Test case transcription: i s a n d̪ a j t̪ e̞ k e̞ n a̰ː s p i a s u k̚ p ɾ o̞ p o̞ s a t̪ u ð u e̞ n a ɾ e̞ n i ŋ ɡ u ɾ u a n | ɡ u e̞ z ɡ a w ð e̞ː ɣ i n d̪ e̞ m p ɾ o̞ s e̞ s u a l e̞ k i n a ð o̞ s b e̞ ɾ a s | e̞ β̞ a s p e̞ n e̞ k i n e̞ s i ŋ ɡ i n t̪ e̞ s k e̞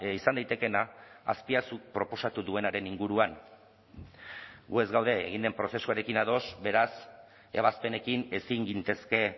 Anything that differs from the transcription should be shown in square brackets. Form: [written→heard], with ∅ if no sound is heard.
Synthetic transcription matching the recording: i s a n d̪ a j t̪ e̞ k e̞ n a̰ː s p i a s u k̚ p ɾ o̞ p o̞ s a t̪ u ð u e̞ n a ɾ e̞ n i ŋ ɡ u ɾ u a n | ɡ u e̞ z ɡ a w ð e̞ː ɣ i n d̪ e̞ m p ɾ o̞ s e̞ s u a [l→ɾ] e̞ k i n a ð o̞ s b e̞ ɾ a s | e̞ β̞ a s p e̞ n e̞ k i n e̞ s i ŋ ɡ i n t̪ e̞ s k e̞